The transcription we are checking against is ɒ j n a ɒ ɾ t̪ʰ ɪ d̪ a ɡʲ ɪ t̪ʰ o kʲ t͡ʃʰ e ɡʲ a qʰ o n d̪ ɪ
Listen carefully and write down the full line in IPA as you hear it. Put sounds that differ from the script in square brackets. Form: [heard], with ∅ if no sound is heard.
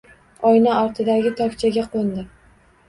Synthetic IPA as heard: ɒ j n a ɒ ɾ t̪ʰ ɪ d̪ a ɡʲ ɪ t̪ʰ [ɒ] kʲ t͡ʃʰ [a] ɡʲ a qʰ o n d̪ ɪ